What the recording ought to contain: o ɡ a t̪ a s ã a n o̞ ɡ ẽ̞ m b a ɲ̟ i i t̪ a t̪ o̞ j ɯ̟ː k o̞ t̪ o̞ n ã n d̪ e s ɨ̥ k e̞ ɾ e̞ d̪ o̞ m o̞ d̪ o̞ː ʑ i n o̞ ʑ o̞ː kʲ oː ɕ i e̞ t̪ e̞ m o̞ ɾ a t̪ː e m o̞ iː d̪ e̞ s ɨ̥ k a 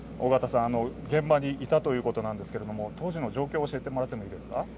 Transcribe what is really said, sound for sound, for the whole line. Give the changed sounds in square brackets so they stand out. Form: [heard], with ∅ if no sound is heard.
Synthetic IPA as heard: o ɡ a t̪ a s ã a n o̞ ɡ ẽ̞ m b a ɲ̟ i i t̪ a t̪ o̞ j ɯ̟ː k o̞ t̪ o̞ n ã n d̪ e s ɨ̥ k e̞ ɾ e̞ d̪ o̞ m o̞ [t̪] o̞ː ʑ i n o̞ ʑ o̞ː kʲ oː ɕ i e̞ t̪ e̞ m o̞ ɾ a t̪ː e m o̞ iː d̪ e̞ s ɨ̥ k a